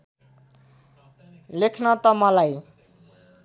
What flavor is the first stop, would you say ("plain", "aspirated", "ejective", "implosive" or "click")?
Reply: aspirated